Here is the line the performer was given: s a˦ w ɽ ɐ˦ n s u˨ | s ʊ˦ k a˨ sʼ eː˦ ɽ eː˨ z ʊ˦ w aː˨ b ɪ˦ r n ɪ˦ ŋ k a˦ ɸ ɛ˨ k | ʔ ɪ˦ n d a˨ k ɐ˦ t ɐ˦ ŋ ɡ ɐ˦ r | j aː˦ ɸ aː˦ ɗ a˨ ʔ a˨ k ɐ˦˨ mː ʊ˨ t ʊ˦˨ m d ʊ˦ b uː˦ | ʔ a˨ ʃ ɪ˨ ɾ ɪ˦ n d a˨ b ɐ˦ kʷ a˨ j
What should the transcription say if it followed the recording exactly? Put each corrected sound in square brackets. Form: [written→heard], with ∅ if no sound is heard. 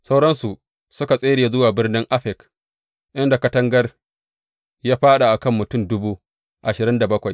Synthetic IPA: s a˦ w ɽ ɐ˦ n s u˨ | s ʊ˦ k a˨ sʼ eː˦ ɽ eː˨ z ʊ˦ w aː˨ b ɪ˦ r n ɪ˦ ŋ [k→ʔ] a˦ ɸ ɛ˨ k | ʔ ɪ˦ n d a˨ k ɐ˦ t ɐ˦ ŋ ɡ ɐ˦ r | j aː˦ ɸ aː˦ ɗ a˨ ʔ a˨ k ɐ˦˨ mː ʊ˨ t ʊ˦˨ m d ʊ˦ b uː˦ | ʔ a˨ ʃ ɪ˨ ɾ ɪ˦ n d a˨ b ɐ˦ kʷ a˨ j